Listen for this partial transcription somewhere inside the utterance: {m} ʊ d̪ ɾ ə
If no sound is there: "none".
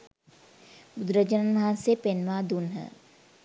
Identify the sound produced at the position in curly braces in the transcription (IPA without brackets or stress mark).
b